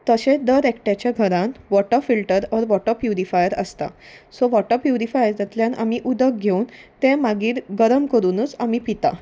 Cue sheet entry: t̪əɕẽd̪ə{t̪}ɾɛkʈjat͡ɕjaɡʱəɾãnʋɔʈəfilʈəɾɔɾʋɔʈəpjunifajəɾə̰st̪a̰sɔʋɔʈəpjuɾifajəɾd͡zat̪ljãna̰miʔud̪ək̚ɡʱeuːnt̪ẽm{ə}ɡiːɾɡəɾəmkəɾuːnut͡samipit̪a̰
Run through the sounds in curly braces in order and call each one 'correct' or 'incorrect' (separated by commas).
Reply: incorrect, incorrect